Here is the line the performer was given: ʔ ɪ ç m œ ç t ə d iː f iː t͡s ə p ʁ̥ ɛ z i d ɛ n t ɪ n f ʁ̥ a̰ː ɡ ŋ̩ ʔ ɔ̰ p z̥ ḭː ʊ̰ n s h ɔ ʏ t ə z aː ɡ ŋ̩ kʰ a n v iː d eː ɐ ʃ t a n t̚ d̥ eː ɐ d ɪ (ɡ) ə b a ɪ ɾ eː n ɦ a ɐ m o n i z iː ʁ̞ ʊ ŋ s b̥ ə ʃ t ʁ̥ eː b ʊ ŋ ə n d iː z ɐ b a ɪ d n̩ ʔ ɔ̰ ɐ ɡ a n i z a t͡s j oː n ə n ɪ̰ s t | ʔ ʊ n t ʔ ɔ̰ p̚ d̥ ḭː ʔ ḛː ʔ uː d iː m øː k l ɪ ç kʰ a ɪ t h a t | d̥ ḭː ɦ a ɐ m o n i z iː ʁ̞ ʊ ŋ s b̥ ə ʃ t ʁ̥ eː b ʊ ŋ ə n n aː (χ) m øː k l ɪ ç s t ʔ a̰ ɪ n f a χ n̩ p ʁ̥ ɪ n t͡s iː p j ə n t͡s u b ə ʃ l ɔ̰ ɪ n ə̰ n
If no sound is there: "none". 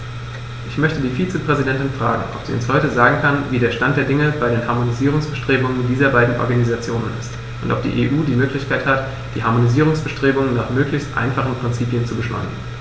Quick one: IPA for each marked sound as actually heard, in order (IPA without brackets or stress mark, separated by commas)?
ŋ, χ